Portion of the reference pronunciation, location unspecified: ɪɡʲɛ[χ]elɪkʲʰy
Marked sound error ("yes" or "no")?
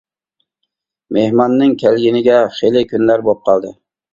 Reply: no